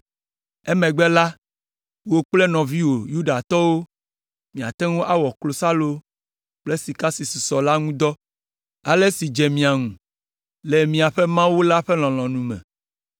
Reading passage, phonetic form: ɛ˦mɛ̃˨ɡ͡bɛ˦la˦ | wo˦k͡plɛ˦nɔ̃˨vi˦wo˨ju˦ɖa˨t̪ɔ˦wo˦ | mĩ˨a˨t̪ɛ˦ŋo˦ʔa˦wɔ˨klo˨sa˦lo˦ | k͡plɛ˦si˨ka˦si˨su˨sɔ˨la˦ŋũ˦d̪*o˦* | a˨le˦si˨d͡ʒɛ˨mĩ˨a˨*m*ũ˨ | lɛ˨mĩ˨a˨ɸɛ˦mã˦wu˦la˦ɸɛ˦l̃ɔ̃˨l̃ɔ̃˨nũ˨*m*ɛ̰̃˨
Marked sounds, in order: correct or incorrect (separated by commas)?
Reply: incorrect, incorrect, correct